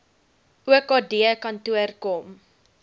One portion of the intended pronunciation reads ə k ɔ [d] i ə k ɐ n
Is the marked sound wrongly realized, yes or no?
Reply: no